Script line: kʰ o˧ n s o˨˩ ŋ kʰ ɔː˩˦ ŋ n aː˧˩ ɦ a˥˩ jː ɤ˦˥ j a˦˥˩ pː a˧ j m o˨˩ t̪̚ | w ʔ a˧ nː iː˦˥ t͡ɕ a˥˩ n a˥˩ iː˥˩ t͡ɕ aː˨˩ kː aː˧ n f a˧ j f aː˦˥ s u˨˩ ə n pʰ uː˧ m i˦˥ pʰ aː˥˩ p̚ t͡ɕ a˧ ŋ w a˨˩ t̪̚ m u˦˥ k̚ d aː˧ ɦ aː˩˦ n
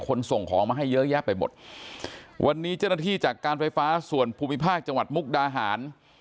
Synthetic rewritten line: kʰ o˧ n s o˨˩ ŋ kʰ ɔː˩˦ ŋ m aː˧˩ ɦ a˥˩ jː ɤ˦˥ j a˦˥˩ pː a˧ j m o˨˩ t̪̚ | w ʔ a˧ nː iː˦˥ t͡ɕ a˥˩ n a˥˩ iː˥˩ t͡ɕ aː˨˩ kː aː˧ n f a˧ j f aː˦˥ s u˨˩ ə n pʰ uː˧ m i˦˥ pʰ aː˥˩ k̚ t͡ɕ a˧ ŋ w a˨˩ t̪̚ m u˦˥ k̚ d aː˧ ɦ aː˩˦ n